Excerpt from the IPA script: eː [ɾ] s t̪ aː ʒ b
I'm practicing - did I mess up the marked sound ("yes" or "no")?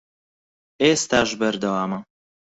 yes